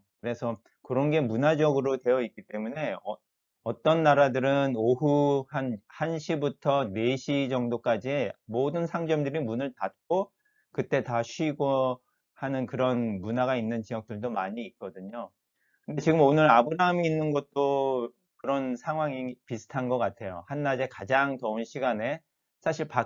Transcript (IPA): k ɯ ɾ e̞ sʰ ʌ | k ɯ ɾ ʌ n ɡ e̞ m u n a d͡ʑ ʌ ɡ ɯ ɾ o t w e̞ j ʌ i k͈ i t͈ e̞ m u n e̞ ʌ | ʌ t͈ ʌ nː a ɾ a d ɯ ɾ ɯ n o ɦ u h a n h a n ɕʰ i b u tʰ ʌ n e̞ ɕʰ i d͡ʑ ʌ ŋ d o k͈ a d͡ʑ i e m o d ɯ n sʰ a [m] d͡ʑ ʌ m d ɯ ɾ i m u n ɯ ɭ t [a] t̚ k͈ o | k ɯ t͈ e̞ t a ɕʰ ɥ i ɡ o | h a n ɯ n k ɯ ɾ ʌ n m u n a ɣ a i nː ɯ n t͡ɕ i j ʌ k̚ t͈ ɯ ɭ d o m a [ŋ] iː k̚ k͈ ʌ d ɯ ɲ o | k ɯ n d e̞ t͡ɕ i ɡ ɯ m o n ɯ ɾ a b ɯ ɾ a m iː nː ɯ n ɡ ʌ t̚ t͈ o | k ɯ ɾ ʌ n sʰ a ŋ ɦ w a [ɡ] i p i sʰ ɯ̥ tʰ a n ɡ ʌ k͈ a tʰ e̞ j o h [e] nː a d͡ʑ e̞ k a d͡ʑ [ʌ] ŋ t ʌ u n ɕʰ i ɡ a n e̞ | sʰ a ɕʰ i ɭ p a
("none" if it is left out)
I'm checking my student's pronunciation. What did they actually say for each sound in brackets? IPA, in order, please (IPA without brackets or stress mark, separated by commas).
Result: ŋ, a, ɲ, ŋ, a, a